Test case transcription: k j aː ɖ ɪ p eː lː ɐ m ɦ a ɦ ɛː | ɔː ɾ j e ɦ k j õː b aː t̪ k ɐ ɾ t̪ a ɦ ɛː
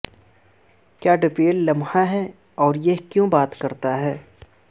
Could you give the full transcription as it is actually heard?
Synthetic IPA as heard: k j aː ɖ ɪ p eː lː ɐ m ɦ a ɦ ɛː | ɔː ɾ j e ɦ k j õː b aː t̪ k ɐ ɾ t̪ a ɦ ɛː